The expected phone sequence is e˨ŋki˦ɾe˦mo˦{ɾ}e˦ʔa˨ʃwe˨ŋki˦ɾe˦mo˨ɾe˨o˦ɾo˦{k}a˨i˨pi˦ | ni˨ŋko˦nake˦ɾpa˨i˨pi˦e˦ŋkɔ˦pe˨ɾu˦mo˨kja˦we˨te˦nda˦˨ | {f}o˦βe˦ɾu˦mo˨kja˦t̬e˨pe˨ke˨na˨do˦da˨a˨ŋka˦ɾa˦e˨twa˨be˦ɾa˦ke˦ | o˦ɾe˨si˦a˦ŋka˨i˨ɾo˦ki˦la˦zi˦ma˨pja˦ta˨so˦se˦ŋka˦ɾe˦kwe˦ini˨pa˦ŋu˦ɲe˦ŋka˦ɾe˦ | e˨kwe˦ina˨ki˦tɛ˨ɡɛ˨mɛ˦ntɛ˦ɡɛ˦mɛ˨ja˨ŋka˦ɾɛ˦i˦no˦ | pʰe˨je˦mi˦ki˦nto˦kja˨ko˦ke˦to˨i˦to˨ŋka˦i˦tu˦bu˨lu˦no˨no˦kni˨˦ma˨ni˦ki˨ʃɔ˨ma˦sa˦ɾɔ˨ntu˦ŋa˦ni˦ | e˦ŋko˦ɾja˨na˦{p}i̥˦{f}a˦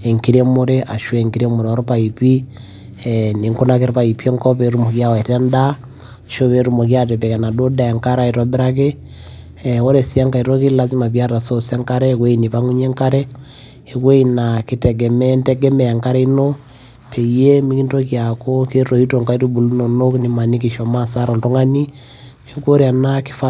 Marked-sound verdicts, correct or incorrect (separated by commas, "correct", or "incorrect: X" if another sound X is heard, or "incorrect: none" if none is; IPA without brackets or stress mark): correct, incorrect: p, incorrect: ʃ, incorrect: k, correct